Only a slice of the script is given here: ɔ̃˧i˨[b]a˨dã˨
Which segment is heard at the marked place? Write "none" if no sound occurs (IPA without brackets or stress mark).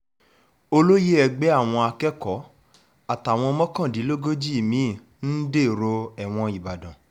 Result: b